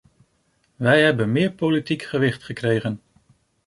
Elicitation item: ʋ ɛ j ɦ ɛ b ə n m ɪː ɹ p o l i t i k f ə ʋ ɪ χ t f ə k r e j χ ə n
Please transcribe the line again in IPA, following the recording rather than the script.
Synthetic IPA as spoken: ʋ ɛ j ɦ ɛ b ə n m ɪː ɹ p o l i t i k χ ə ʋ ɪ χ t χ ə k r e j χ ə n